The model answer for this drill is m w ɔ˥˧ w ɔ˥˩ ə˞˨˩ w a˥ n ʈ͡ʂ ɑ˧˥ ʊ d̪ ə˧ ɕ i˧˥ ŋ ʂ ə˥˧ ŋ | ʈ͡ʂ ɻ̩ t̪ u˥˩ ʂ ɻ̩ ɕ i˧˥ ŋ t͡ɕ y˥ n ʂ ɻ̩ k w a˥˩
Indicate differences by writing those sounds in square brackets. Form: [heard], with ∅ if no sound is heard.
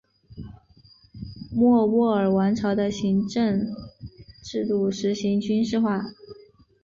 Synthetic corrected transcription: m w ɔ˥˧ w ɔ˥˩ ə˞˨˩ w [a˧˥] n [ʈ͡ʂʰ] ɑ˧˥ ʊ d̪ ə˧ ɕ i˧˥ ŋ [ʈ͡ʂ] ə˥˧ ŋ | ʈ͡ʂ ɻ̩ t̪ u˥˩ ʂ ɻ̩ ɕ i˧˥ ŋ t͡ɕ y˥ n ʂ ɻ̩ [x] w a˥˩